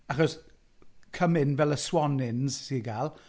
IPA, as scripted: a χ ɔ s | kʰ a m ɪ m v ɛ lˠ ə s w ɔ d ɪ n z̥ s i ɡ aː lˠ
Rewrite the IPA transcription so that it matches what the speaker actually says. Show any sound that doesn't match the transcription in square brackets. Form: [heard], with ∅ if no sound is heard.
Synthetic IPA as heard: a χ ɔ s | kʰ [ə] m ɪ [n] v ɛ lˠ ə s w ɔ [n] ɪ n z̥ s i ɡ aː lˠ